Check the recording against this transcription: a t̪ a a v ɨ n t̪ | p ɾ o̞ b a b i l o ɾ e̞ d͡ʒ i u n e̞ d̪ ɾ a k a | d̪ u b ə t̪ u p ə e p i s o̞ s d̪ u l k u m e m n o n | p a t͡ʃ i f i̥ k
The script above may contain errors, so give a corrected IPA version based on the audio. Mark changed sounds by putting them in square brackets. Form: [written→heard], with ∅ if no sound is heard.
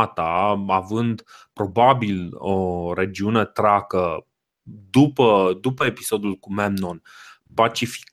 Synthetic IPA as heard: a t̪ a a v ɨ n [t̪→d̪] | p ɾ o̞ b a b i l o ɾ e̞ d͡ʒ i u n e̞ [d̪→t̪] ɾ a k [a→ə] | d̪ u [b→p] ə [t̪→d̪] u p ə e p i s o̞ [s→∅] d̪ u l k u m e m n o n | p a t͡ʃ i f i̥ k